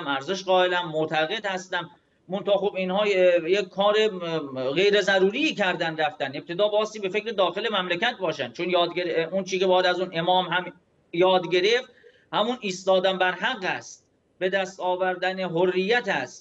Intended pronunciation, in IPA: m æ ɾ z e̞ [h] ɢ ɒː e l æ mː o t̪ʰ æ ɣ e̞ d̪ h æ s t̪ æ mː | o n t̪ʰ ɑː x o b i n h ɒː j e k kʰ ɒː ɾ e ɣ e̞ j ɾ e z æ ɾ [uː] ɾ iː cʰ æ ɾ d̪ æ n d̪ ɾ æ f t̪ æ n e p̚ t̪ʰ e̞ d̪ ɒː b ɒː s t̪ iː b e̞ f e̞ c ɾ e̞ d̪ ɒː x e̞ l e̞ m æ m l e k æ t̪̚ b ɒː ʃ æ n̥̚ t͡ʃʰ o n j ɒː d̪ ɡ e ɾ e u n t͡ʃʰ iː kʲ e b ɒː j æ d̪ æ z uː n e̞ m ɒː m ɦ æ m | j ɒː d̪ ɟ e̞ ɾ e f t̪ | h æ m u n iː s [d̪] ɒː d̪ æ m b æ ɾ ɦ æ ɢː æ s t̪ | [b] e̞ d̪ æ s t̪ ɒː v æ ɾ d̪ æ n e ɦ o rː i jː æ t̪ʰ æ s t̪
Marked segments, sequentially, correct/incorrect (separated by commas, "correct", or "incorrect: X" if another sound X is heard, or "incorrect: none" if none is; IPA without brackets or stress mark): incorrect: ʃ, correct, incorrect: t̪, correct